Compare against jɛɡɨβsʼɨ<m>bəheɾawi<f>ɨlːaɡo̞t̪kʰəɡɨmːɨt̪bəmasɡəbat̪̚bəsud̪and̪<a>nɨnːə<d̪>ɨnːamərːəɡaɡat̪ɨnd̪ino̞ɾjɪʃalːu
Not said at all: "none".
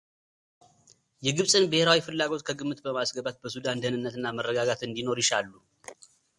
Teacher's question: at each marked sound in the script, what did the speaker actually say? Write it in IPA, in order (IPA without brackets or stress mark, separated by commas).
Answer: n, f, ə, t̪